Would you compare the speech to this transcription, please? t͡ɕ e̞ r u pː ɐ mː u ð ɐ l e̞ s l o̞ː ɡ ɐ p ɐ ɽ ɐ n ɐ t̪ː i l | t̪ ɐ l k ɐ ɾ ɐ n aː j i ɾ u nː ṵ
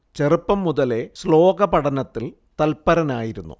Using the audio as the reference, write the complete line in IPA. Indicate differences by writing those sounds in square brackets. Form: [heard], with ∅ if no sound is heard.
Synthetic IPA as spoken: t͡ɕ e̞ r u pː ɐ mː u ð ɐ l e̞ s l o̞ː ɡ ɐ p ɐ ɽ ɐ n ɐ t̪ː i l | t̪ ɐ l [p] ɐ ɾ ɐ n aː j i ɾ u nː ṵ